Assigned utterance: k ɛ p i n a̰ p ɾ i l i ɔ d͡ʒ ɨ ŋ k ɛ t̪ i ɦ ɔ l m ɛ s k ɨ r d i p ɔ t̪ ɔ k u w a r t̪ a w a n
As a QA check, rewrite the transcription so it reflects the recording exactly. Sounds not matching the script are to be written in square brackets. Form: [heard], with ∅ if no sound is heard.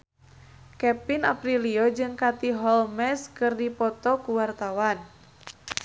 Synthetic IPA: k ɛ p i n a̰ p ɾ i l i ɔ d͡ʒ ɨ ŋ k [a] t̪ i ɦ ɔ l m ɛ s k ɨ r d i p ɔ t̪ ɔ k u w a r t̪ a w a n